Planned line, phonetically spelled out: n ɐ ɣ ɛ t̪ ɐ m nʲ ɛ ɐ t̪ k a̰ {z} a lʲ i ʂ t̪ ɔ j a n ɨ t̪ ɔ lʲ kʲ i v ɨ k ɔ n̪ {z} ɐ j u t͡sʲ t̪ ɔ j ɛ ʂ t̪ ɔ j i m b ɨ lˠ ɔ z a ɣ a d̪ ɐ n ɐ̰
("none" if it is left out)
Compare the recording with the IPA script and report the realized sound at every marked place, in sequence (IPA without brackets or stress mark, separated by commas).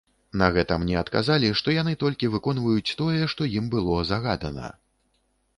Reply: z, v